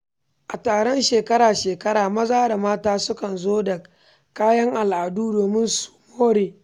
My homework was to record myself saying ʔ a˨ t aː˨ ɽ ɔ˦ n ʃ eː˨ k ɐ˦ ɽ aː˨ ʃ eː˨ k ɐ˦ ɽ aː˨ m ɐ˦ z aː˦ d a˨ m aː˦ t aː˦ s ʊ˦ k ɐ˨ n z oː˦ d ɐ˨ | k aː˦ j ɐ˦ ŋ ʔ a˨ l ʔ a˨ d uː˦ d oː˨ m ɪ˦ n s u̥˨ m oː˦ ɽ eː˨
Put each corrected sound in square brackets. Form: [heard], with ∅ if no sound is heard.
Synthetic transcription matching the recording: ʔ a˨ t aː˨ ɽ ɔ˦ n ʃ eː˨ k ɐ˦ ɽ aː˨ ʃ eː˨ k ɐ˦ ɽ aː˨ m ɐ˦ z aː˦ d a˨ m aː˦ t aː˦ s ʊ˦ k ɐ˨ n z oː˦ d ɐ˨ | k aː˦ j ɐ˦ ŋ ʔ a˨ l ʔ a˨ d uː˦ d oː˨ m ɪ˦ n s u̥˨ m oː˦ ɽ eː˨

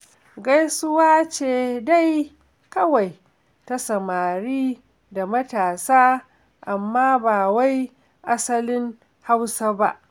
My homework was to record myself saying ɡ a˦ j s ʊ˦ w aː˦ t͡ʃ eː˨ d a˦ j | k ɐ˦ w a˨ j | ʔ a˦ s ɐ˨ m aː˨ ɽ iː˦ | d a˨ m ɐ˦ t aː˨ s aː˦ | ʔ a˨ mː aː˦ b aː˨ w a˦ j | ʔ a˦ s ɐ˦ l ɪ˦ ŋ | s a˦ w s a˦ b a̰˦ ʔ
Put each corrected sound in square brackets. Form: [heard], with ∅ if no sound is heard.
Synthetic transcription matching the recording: ɡ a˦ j s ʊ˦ w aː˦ t͡ʃ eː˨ d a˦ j | k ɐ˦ w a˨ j | [t] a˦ s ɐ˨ m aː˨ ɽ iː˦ | d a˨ m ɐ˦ t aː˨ s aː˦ | ʔ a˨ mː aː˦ b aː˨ w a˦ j | ʔ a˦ s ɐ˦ l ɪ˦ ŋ | [h] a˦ w s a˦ b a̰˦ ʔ

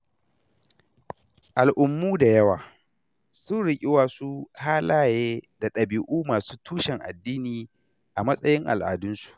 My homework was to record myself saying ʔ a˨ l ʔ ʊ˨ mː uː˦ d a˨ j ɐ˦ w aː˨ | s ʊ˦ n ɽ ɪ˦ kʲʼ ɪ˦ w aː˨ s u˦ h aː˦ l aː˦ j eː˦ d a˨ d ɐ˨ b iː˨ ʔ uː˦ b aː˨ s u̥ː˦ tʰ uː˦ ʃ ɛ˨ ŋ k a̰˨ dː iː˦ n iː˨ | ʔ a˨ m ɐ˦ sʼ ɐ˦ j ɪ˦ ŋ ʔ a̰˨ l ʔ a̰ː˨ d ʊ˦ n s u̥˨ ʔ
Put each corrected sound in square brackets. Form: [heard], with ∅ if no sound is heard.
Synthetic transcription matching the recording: ʔ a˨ l ʔ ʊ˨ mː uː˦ d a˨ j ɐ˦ w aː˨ | s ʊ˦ n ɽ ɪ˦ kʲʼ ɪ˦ w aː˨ s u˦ h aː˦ l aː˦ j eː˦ d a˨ [ɗ] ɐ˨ b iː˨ ʔ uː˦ [m] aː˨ s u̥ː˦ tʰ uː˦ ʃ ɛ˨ ŋ [ʔ] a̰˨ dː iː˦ n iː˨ | ʔ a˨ m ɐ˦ sʼ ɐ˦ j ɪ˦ ŋ ʔ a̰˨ l ʔ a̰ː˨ d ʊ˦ n s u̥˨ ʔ

